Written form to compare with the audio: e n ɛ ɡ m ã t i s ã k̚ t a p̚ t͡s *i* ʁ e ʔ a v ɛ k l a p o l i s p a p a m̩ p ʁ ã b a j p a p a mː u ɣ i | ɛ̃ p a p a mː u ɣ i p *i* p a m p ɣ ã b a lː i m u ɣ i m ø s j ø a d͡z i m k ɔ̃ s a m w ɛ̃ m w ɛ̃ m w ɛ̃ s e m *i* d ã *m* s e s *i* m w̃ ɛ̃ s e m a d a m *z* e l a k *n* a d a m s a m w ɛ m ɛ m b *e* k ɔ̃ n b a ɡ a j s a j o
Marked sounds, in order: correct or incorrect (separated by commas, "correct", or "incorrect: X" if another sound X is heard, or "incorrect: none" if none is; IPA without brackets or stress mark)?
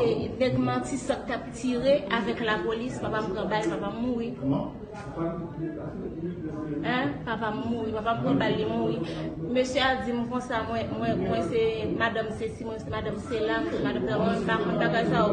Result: correct, incorrect: a, incorrect: a, correct, correct, incorrect: s, incorrect: m, incorrect: a